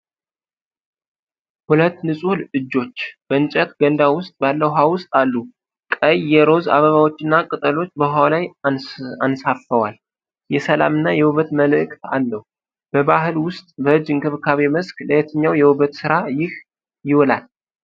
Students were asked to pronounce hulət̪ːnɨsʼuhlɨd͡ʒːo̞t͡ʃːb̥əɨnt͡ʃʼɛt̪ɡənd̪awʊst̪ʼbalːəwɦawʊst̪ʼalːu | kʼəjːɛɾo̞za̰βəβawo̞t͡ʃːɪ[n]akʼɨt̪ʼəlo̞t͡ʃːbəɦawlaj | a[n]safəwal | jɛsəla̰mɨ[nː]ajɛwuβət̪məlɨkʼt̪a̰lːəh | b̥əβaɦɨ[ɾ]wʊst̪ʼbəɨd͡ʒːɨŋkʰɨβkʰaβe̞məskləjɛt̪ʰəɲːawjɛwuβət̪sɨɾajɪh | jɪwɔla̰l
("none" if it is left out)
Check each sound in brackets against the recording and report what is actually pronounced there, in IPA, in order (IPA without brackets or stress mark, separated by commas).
nː, n, nː, l